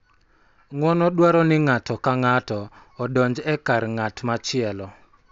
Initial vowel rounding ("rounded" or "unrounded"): rounded